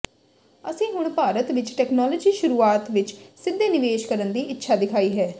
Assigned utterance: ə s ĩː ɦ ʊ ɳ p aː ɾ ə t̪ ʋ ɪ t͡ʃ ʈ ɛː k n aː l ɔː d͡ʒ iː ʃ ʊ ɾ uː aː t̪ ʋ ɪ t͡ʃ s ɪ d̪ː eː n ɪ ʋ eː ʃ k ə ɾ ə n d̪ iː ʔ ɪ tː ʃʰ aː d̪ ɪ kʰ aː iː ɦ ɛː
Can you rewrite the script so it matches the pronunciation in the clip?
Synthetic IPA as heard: ə s ĩː ɦ ʊ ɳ p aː ɾ ə t̪ ʋ ɪ t͡ʃ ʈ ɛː k n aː l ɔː d͡ʒ iː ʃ ʊ ɾ uː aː t̪ ʋ ɪ t͡ʃ s ɪ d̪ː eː n ɪ ʋ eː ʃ k ə ɾ ə n d̪ iː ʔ ɪ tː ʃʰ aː d̪ ɪ kʰ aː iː ɦ ɛː